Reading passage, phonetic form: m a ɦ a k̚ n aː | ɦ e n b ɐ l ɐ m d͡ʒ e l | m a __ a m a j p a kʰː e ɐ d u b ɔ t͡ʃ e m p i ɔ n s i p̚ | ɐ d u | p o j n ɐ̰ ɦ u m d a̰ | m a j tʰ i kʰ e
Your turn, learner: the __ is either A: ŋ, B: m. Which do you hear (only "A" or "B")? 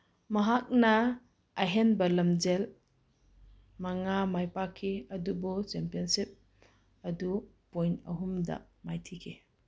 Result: A